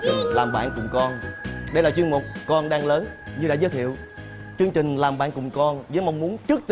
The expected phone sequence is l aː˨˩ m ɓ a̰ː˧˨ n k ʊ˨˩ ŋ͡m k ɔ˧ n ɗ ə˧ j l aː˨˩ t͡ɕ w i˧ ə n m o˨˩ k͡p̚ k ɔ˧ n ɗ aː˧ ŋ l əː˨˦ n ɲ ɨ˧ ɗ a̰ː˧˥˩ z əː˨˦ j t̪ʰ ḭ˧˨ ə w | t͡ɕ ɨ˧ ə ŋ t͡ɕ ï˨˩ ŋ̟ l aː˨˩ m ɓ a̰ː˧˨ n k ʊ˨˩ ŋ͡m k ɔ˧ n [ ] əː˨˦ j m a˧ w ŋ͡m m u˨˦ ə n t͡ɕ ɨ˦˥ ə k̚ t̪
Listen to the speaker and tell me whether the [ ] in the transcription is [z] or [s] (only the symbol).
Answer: z